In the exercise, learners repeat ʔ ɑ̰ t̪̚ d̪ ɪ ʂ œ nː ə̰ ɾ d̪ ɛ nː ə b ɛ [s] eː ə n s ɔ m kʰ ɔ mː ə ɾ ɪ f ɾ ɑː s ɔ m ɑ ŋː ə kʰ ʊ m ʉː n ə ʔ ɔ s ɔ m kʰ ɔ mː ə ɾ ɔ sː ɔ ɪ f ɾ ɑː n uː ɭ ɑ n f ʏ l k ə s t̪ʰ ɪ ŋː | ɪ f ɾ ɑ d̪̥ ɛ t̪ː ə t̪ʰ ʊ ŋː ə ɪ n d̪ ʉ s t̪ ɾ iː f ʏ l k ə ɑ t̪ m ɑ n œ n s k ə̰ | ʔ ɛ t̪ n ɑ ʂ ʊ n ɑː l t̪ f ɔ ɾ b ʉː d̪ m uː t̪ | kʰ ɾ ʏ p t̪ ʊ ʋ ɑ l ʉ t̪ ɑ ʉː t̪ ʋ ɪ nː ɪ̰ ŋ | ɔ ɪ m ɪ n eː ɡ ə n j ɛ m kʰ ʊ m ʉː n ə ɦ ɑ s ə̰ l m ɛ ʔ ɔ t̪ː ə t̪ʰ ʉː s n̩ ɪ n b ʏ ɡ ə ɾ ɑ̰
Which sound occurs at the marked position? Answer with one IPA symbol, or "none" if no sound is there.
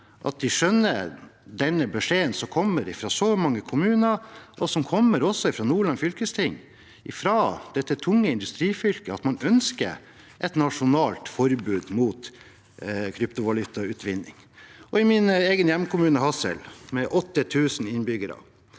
ʂ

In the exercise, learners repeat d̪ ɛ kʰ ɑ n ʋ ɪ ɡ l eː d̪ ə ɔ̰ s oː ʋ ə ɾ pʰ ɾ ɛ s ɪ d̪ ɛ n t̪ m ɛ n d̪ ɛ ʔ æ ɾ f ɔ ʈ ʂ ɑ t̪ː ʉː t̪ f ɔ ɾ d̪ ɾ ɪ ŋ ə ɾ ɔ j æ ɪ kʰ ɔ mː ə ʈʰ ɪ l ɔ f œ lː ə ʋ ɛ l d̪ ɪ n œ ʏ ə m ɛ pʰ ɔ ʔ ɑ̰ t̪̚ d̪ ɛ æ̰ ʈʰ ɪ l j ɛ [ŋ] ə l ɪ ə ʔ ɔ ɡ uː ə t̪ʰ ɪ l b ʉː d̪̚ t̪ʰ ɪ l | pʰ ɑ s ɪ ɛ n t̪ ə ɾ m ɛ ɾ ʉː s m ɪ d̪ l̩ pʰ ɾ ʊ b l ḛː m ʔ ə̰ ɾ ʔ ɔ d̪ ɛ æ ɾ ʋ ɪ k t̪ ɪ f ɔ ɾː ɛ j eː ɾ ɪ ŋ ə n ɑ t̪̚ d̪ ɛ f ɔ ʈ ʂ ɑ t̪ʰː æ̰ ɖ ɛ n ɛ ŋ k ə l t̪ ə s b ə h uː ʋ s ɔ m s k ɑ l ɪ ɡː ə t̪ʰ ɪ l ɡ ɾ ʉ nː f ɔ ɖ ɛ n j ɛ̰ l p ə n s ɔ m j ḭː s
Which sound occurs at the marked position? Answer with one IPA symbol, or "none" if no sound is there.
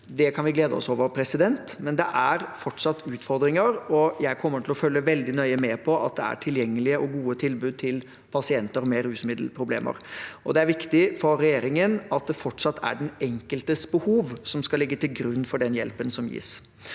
ŋː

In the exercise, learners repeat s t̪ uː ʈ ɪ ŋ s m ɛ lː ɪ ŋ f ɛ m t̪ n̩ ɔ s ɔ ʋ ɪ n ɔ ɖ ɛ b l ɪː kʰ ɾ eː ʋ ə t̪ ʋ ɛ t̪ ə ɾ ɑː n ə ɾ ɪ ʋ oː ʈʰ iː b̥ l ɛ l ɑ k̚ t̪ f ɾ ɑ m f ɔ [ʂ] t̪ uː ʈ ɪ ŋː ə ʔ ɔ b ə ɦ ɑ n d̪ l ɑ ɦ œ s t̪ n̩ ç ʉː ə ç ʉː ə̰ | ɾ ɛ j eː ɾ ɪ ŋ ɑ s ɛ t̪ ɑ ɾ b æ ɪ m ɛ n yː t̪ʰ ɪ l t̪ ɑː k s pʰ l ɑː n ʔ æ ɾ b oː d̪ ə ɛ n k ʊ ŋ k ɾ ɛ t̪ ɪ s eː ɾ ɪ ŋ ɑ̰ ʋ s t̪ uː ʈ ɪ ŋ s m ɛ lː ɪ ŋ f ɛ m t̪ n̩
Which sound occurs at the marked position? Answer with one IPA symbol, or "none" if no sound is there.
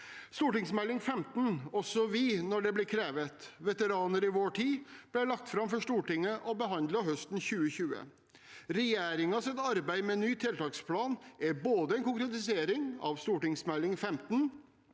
ʂ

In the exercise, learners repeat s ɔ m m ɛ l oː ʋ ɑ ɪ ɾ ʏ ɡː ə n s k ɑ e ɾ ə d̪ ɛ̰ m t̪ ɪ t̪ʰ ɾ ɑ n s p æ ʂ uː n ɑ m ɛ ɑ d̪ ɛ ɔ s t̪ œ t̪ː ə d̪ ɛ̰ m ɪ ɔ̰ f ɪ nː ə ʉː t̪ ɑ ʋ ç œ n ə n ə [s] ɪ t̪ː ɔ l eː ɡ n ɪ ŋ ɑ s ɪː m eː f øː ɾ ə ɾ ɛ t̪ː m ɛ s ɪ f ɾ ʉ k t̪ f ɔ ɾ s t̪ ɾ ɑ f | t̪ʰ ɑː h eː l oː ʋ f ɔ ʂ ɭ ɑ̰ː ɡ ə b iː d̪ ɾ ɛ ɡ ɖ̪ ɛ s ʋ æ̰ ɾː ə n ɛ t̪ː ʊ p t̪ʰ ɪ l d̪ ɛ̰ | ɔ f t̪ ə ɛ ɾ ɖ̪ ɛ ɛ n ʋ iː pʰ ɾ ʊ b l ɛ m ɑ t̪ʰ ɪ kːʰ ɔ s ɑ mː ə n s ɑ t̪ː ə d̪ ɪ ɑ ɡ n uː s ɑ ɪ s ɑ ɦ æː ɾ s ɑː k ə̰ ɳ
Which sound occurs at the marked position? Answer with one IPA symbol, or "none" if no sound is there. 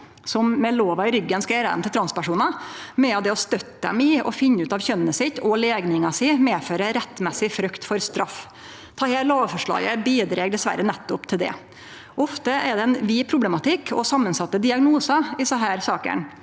s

